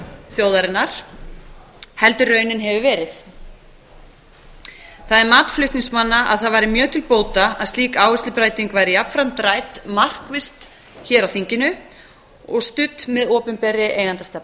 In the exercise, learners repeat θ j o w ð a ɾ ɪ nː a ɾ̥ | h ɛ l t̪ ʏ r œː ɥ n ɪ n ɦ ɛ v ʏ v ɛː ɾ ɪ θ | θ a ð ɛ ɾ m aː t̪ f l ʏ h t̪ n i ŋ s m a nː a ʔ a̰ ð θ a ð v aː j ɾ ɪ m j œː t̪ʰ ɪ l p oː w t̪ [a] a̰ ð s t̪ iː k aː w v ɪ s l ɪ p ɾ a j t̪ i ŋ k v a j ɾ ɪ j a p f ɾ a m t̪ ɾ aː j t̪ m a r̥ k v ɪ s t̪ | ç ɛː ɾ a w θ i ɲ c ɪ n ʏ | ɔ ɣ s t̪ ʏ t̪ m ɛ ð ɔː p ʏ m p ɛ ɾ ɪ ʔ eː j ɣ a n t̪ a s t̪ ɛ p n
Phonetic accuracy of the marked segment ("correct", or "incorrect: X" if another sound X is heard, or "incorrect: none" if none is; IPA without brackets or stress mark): correct